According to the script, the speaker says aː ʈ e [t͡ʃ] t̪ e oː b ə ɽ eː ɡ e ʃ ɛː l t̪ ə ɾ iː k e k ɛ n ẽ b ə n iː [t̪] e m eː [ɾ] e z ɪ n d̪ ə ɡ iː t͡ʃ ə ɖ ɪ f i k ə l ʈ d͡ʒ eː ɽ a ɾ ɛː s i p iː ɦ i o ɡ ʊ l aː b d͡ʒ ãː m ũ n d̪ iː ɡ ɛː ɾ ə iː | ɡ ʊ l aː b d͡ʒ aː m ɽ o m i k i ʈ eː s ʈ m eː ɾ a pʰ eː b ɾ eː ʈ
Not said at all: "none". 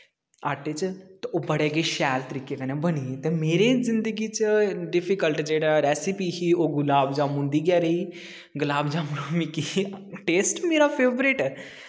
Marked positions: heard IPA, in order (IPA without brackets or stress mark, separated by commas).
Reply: t͡ʃ, t̪, ɾ